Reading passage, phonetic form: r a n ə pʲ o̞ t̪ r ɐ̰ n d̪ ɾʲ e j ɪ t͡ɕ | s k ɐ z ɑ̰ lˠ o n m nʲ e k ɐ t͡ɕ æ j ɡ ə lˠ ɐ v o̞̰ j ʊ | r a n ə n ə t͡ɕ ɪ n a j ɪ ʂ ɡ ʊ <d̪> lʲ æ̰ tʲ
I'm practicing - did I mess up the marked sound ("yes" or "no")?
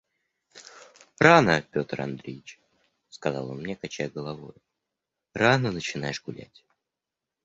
yes